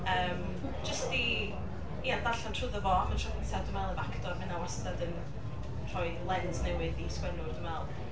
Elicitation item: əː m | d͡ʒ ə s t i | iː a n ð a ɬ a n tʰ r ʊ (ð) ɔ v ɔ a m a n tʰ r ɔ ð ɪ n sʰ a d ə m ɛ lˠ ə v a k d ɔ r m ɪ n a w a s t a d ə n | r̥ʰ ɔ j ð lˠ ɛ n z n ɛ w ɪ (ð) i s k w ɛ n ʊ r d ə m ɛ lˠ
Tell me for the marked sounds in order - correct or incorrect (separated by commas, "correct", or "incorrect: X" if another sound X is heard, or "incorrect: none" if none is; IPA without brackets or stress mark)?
correct, correct